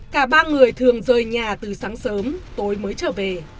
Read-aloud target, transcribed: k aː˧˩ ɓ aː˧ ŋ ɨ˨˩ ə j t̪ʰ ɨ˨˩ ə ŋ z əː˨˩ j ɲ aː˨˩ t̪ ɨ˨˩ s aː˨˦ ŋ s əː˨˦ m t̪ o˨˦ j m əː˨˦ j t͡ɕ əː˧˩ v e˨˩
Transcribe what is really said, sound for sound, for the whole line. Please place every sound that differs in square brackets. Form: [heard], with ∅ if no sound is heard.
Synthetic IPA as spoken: k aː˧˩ ɓ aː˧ ŋ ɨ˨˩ ə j t̪ʰ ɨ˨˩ ə ŋ z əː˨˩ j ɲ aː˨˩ t̪ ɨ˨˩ s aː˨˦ ŋ s əː˨˦ m t̪ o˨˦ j m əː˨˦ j t͡ɕ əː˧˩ v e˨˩